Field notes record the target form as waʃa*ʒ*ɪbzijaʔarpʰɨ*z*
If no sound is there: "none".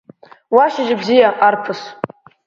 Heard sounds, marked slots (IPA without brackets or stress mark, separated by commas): ʒ, s